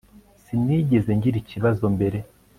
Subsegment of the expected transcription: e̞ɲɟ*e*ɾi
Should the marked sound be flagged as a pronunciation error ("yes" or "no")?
yes